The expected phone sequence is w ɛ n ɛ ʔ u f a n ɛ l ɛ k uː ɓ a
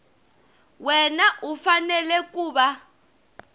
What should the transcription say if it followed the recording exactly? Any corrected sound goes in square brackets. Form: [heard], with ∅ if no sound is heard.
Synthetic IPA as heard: w ɛ n [a] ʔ u f a n ɛ l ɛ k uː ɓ a